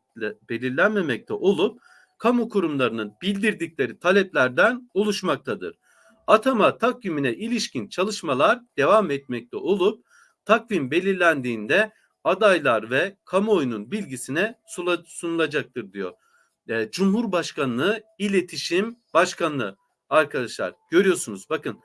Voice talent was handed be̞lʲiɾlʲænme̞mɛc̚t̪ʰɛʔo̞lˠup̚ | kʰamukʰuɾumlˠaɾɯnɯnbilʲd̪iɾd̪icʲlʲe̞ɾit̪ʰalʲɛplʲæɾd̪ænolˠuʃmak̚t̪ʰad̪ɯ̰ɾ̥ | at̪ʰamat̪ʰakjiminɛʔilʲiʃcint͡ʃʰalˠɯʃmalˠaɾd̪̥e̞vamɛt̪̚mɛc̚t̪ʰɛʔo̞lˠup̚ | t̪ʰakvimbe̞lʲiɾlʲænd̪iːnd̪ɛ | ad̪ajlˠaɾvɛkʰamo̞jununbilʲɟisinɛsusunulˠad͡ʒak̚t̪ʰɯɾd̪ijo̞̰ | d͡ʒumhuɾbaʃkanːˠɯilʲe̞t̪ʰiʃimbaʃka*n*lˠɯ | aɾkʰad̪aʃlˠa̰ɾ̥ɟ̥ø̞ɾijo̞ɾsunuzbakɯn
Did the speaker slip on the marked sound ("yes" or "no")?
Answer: no